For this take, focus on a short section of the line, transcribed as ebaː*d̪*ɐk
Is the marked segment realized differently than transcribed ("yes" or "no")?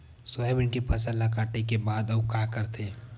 no